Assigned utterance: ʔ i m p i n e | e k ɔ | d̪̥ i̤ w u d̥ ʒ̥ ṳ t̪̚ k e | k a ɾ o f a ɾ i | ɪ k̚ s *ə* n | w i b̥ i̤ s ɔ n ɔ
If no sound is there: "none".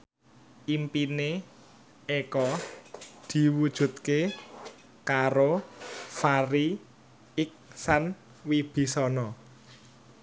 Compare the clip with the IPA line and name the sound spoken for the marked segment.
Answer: a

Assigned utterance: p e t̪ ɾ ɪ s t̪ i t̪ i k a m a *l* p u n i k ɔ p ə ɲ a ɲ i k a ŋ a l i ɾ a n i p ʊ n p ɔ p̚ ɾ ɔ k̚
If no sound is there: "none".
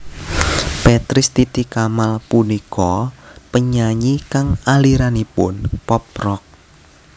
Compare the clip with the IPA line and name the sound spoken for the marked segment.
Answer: l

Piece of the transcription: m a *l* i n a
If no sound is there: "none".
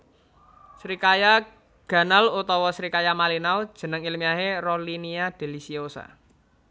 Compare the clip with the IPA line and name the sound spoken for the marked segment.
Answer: l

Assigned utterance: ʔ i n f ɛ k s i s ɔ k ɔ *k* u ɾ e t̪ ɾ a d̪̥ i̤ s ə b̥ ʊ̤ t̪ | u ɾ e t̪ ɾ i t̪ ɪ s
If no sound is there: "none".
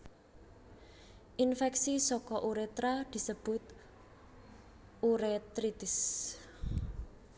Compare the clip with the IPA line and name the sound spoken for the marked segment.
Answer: ʔ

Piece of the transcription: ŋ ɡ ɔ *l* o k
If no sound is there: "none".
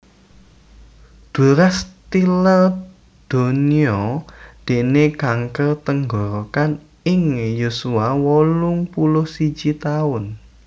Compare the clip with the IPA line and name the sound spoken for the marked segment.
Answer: ɾ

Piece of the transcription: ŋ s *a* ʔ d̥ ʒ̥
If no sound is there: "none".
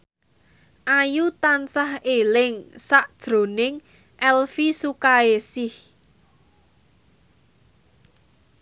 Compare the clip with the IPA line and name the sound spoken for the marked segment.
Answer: a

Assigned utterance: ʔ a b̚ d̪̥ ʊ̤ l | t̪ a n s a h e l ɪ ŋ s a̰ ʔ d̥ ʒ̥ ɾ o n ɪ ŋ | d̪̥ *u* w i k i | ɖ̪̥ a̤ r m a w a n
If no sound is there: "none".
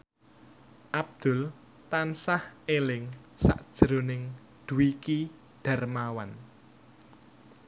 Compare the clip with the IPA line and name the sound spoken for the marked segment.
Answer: u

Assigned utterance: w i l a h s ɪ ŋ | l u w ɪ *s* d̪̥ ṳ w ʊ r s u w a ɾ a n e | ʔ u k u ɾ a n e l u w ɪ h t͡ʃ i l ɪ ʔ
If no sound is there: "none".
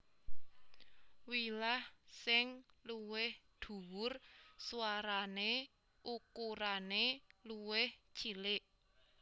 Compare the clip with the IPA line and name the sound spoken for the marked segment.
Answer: h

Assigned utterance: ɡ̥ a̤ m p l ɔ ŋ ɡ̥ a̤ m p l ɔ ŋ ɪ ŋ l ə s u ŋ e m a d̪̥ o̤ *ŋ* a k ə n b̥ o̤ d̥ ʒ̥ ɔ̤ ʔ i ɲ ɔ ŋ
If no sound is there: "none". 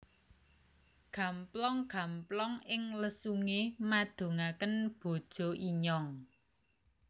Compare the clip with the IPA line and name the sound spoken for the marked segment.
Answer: ŋ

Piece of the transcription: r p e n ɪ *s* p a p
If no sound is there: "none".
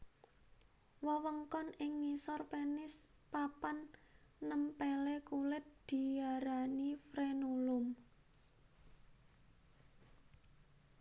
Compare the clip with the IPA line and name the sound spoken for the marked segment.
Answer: s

